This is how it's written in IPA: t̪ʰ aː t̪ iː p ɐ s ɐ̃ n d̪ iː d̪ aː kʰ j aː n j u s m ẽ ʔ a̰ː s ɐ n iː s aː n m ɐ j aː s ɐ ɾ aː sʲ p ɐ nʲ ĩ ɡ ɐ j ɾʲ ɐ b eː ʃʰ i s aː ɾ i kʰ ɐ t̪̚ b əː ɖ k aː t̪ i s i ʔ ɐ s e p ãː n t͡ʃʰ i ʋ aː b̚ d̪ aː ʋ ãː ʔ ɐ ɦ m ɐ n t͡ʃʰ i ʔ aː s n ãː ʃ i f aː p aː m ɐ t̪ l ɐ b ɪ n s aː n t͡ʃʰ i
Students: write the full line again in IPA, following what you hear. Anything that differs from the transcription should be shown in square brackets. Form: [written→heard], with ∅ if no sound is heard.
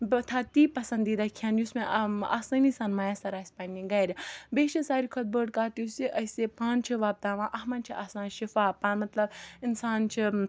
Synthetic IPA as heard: t̪ʰ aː t̪ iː p ɐ s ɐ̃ n d̪ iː d̪ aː kʰ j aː n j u s m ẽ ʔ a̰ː s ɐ n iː s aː n m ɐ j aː s ɐ ɾ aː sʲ p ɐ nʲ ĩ ɡ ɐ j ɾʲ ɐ b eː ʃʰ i s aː ɾ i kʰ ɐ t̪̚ b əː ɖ k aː t̪ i s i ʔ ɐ s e p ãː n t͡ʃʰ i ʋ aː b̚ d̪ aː ʋ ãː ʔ ɐ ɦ m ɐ n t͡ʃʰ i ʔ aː s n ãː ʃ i f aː p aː m ɐ t̪ l ɐ b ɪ n s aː n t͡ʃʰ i

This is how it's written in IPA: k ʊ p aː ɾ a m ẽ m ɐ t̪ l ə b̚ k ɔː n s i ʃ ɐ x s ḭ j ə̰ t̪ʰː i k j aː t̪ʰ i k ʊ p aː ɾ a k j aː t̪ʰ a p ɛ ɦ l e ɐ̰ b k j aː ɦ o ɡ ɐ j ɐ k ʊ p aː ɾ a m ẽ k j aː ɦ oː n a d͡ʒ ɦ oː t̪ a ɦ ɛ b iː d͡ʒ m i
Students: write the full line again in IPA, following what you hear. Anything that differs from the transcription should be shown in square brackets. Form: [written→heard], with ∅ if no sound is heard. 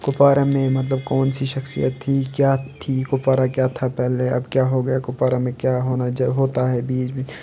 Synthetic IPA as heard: k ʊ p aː ɾ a m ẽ m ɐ t̪ l ə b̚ k ɔː n s i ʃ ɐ x s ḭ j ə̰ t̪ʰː i k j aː t̪ʰ i k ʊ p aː ɾ a k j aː t̪ʰ a p ɛ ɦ l e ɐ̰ b k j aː ɦ o ɡ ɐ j [ɐ→a] k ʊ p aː ɾ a m ẽ k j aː ɦ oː n a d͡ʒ ɦ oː t̪ a ɦ ɛ b iː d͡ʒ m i

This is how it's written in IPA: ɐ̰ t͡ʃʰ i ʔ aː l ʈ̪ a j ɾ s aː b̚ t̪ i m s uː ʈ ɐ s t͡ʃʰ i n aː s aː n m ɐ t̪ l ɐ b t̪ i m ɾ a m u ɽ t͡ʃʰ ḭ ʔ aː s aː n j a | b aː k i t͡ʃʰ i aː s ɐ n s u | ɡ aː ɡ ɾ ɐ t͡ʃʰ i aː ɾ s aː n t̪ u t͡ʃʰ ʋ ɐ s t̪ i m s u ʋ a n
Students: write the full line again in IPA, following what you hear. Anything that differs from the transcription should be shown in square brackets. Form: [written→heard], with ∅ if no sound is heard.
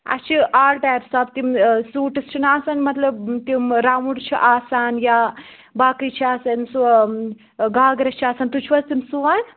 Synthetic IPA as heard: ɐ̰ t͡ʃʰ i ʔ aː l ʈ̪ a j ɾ s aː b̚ t̪ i m s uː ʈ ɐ s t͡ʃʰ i n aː s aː n m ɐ t̪ l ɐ b t̪ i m ɾ a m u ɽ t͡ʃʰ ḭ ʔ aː s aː n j a | b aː k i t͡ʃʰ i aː s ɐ n s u | ɡ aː ɡ ɾ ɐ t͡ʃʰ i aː [ɾ→∅] s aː n t̪ u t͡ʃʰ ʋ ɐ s t̪ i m s u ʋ a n

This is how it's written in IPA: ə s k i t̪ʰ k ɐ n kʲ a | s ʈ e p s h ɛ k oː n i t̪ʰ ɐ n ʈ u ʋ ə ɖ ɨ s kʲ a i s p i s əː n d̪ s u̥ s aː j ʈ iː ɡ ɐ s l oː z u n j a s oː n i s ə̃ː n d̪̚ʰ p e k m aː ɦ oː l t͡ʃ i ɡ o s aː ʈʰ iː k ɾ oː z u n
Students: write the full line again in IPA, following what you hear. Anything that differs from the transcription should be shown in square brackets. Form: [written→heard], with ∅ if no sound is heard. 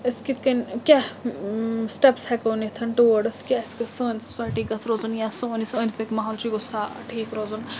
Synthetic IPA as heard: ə s k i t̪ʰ k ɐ n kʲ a | s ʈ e p s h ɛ k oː n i t̪ʰ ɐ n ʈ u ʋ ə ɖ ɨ s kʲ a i s [p→k] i s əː n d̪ s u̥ s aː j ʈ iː ɡ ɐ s [l→ɾ] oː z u n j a s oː n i s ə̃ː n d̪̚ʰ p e k m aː ɦ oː l t͡ʃ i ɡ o s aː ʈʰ iː k ɾ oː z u n

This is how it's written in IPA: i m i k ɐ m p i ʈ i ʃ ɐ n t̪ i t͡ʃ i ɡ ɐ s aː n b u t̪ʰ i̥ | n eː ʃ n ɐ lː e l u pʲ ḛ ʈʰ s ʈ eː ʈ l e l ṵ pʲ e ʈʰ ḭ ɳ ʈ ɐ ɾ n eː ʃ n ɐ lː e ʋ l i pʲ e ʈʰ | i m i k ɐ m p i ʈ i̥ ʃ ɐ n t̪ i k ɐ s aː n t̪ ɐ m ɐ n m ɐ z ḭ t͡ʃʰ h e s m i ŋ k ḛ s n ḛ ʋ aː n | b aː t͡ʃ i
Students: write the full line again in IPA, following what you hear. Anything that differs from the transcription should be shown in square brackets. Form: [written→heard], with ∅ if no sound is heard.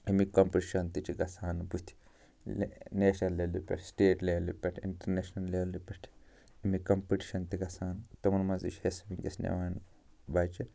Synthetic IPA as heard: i m i k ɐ m p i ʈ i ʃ ɐ n t̪ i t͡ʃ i ɡ ɐ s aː n b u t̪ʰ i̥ | n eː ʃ n ɐ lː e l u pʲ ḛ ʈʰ s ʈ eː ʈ l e l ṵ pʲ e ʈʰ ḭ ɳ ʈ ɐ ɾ n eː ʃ n ɐ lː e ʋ l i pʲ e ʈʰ | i m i k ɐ m p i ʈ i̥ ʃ ɐ n t̪ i [k→ɡ] ɐ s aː n t̪ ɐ m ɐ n m ɐ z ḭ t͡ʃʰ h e s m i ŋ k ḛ s n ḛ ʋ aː n | b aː t͡ʃ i

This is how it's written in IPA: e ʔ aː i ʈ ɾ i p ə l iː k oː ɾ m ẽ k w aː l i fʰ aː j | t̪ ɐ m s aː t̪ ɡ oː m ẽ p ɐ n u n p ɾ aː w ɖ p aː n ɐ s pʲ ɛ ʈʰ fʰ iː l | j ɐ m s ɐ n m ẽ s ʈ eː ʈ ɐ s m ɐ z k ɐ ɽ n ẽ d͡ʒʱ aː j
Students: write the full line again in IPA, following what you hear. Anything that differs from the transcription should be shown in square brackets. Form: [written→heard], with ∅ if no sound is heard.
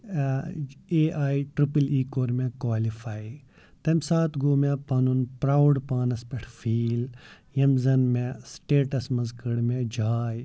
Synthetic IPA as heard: e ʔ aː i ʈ ɾ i p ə l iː k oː ɾ m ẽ k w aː l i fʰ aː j | t̪ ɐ m s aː t̪ ɡ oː m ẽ p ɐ n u n p ɾ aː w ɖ p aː n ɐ s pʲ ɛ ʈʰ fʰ iː l | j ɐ m [s→z] ɐ n m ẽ s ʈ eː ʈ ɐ s m ɐ z k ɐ ɽ [n→m] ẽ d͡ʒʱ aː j

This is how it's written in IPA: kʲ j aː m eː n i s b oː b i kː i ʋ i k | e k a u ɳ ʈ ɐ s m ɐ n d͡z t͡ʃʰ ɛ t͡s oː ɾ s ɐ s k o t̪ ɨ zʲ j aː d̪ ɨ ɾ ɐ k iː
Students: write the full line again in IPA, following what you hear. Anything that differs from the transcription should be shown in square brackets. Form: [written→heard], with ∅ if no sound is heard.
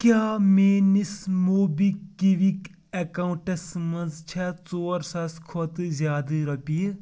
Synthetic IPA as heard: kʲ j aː m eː n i s [b→m] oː b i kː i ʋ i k | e k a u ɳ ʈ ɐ s m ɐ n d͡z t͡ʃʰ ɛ t͡s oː ɾ s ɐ s [k→kʰ] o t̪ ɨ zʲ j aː d̪ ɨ ɾ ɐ [k→p] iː

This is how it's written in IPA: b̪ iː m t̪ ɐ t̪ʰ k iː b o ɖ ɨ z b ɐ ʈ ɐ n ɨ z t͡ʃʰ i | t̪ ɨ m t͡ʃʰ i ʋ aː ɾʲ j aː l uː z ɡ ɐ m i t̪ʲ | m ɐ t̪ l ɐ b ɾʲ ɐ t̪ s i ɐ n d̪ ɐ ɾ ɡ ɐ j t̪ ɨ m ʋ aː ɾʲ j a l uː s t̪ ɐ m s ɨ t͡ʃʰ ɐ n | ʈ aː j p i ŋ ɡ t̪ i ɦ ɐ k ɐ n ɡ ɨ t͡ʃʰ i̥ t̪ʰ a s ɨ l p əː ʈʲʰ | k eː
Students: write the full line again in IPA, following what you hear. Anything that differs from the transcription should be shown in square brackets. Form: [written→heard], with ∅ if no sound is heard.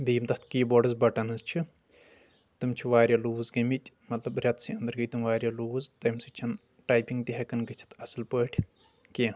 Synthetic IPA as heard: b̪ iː m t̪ ɐ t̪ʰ k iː b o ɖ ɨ z b ɐ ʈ ɐ n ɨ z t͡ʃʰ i | t̪ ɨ m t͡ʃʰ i ʋ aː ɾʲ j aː l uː z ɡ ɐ m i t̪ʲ | m ɐ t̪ l ɐ b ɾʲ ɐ t̪ s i ɐ n d̪ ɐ ɾ ɡ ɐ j t̪ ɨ m ʋ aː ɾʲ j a l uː [s→z] t̪ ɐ m s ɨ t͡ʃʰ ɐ n | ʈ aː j p i ŋ ɡ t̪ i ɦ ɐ k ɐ n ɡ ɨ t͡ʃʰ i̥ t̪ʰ [a→ɐ] s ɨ l p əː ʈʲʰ | k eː

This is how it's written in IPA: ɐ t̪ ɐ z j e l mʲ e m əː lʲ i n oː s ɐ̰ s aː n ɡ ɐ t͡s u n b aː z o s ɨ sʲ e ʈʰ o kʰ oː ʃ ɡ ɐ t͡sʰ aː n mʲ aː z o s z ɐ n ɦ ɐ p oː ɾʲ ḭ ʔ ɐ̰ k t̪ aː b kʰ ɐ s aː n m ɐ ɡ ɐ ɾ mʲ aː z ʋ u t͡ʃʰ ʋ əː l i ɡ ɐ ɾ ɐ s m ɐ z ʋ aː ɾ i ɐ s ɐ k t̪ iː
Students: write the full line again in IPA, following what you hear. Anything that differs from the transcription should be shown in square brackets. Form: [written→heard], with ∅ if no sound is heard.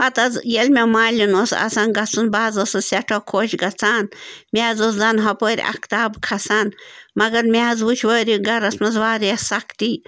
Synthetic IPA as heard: ɐ t̪ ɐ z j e l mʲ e m [əː→aː] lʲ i n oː s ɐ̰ s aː n ɡ ɐ t͡s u n b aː z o s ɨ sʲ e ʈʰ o kʰ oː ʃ ɡ ɐ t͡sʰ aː n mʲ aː z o s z ɐ n ɦ ɐ p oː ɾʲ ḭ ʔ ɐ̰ k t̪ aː b kʰ ɐ s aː n m ɐ ɡ ɐ ɾ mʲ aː z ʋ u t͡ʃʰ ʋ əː [l→ɾ] i ɡ ɐ ɾ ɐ s m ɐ z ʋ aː ɾ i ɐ s ɐ k t̪ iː

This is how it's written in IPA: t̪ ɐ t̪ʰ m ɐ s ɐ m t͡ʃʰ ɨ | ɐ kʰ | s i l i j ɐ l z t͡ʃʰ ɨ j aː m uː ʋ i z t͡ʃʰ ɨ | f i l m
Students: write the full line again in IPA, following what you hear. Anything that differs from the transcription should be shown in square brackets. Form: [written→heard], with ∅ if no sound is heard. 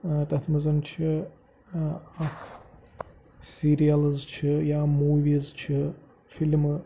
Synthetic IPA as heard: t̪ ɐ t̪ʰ m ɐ [s→z] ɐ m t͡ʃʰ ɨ | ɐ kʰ | s i [l→ɾ] i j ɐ l z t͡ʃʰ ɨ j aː m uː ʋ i z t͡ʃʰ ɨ | f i l m

